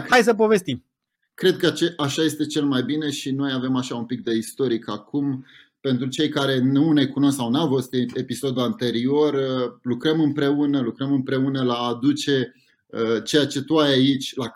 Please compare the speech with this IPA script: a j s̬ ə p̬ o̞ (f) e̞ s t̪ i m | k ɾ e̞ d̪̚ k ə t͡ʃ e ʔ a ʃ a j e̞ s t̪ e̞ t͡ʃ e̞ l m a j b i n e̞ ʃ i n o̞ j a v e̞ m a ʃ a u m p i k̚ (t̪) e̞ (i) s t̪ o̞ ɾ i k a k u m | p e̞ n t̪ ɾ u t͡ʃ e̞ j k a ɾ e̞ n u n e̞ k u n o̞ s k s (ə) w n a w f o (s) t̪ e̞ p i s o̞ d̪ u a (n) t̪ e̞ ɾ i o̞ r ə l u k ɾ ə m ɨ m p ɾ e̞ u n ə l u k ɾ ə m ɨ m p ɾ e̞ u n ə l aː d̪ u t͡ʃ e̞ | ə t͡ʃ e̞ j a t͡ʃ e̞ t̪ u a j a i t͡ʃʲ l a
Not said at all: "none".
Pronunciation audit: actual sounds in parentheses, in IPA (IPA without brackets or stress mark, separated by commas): v, d̪, i, a, s, n